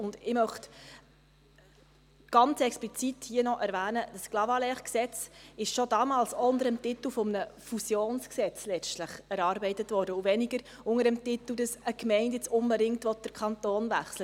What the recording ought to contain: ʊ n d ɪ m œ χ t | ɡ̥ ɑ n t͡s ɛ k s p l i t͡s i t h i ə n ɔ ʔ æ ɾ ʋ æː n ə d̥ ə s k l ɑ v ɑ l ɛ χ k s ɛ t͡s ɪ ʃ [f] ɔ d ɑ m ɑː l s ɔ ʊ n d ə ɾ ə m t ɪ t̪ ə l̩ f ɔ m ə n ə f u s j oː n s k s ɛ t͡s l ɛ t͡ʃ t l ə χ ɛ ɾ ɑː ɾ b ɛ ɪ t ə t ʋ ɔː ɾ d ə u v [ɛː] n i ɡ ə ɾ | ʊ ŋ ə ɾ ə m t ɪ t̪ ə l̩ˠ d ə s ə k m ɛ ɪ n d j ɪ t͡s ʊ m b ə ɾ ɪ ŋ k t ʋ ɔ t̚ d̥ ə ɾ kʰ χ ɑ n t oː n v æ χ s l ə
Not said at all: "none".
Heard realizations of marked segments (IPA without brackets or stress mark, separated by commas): ʃ, ɛ